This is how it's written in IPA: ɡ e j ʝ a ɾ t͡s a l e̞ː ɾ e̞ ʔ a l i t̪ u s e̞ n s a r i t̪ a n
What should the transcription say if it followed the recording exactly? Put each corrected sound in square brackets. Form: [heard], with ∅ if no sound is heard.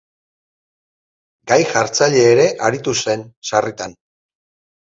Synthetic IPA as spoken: ɡ [a] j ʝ a ɾ t͡s a [ʎ] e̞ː ɾ e̞ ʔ a [ɾ] i t̪ u s e̞ n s a r i t̪ a n

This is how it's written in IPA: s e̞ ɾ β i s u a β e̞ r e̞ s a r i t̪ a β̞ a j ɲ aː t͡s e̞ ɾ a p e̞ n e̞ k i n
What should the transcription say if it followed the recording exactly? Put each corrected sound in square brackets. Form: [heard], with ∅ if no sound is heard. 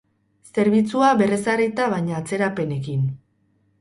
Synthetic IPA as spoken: s e̞ ɾ β i [t͡s] u a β e̞ r e̞ s a r i t̪ a β̞ a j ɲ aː t͡s e̞ ɾ a p e̞ n e̞ k i n

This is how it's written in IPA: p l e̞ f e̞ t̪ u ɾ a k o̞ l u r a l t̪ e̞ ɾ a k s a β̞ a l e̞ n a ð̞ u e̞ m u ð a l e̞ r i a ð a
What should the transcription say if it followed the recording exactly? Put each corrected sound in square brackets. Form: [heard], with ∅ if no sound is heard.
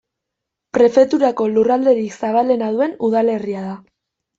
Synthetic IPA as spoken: p [ɾ] e̞ f e̞ t̪ u ɾ a k o̞ l u r a l [d̪] e̞ ɾ [i] k s a β̞ a l e̞ n a ð̞ u e̞ [n] u ð a l e̞ r i a ð a

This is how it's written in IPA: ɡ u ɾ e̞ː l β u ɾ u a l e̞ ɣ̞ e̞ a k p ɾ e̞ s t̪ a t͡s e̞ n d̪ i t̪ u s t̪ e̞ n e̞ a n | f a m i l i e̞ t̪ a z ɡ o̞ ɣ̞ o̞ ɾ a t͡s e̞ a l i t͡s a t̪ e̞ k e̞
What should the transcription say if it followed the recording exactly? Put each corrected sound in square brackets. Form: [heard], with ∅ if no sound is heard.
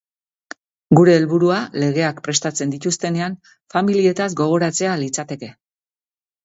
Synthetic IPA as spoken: ɡ u ɾ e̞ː l β u ɾ u a l e̞ ɣ̞ e̞ a k p ɾ e̞ s t̪ a t͡s e̞ n d̪ i t̪ u s t̪ e̞ n e̞ a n | f a m i l i e̞ t̪ a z ɡ o̞ ɣ̞ o̞ ɾ a t͡s e̞ a l i t͡s a t̪ e̞ k e̞

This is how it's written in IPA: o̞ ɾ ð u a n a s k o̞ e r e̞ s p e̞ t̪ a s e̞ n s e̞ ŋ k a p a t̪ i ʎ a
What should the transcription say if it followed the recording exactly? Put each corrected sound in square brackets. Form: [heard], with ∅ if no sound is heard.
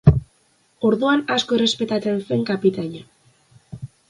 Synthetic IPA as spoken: o̞ ɾ ð u a n a s k o̞ e r e̞ s p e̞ t̪ a [t͡s] e̞ n s e̞ ŋ k a p [i] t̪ [a] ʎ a

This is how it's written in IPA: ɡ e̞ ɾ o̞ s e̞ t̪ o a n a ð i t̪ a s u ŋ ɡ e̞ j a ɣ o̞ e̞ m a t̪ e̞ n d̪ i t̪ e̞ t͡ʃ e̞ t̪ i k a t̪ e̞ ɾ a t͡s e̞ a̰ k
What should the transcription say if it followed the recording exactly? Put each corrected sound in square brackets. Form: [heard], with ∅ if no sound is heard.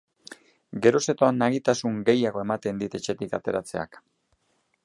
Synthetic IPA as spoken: ɡ e̞ ɾ o̞ s e̞ t̪ o a n a [ɣ] i t̪ a s u ŋ ɡ e̞ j a ɣ o̞ e̞ m a t̪ e̞ n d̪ i t̪ e̞ t͡ʃ e̞ t̪ i k a t̪ e̞ ɾ a t͡s e̞ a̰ k

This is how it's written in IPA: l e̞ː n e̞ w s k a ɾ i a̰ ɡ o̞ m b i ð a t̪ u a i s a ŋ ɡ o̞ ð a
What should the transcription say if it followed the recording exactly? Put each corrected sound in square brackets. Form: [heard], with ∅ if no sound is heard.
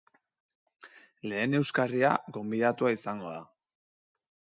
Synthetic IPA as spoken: l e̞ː n e̞ w s k a [r] i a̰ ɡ o̞ m b i ð a t̪ u a i s a ŋ ɡ o̞ ð a

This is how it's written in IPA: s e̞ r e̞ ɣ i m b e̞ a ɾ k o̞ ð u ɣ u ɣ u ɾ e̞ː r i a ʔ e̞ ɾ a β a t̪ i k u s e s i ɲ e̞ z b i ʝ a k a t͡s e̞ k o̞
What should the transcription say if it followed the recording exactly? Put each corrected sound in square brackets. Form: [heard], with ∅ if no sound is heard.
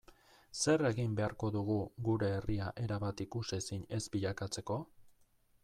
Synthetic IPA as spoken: s e̞ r e̞ ɣ i m b e̞ a ɾ k o̞ ð u ɣ u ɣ u ɾ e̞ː r i a ʔ e̞ ɾ a β a t̪ i k u s e s i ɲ e̞ z b i [ʎ] a k a t͡s e̞ k o̞

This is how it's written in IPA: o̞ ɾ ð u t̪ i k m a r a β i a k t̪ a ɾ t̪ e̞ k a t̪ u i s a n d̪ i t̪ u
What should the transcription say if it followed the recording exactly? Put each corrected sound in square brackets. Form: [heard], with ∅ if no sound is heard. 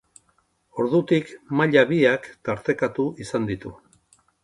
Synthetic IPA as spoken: o̞ ɾ ð u t̪ i k m a [ʎ] a β i a k t̪ a ɾ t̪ e̞ k a t̪ u i s a n d̪ i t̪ u

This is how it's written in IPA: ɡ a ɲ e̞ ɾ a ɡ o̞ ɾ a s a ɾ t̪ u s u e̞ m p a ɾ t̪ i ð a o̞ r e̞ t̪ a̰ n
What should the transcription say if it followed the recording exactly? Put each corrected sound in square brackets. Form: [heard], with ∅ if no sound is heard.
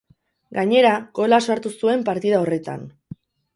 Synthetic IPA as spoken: ɡ a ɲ e̞ ɾ a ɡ o̞ [l] a s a ɾ t̪ u s u e̞ m p a ɾ t̪ i ð a o̞ r e̞ t̪ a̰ n

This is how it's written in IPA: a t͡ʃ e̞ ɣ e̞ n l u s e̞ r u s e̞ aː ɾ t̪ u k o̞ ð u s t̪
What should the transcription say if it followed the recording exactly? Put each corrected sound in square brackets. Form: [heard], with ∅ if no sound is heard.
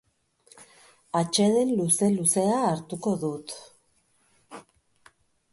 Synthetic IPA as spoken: a t͡ʃ e̞ [ð] e̞ n l u s e̞ [l] u s e̞ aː ɾ t̪ u k o̞ ð u [∅] t̪

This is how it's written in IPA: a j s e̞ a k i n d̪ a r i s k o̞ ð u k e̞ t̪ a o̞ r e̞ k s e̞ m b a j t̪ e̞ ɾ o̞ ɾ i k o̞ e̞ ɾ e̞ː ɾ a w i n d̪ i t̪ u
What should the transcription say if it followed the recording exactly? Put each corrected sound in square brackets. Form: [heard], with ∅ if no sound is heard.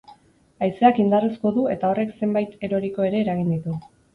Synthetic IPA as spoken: a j s e̞ a k i n d̪ a r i s k o̞ ð u [∅] e̞ t̪ a o̞ r e̞ k s e̞ m b a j t̪ e̞ ɾ o̞ ɾ i k o̞ e̞ ɾ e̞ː ɾ a [ɣ] i n d̪ i t̪ u

